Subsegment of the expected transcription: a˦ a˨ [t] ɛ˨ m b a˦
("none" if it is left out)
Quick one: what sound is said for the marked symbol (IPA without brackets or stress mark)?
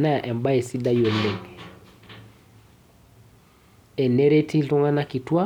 ʔ